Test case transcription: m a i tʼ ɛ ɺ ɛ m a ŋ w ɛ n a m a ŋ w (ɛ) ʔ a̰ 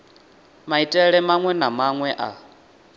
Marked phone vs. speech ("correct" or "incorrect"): correct